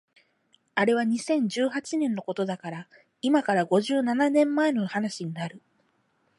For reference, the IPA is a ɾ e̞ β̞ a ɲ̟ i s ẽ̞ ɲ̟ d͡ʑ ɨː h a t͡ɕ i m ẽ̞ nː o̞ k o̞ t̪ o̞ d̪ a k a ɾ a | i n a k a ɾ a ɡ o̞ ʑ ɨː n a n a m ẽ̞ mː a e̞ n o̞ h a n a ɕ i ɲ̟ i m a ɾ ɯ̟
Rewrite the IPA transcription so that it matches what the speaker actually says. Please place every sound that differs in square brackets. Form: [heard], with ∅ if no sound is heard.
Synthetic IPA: a ɾ e̞ β̞ a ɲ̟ i s ẽ̞ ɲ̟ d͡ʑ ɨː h a t͡ɕ i [n] ẽ̞ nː o̞ k o̞ t̪ o̞ d̪ a k a ɾ a | i [m] a k a ɾ a ɡ o̞ ʑ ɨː n a n a [n] ẽ̞ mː a e̞ n o̞ h a n a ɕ i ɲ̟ i [n] a ɾ ɯ̟